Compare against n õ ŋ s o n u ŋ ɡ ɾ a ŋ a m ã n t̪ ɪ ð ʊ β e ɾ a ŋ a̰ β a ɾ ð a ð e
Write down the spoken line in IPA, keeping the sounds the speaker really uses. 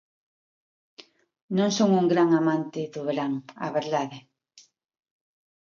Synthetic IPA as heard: n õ ŋ s o ŋ u ŋ ɡ ɾ a ŋ a m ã n t̪ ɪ ð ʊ β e ɾ a ŋ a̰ β e ɾ ð a ð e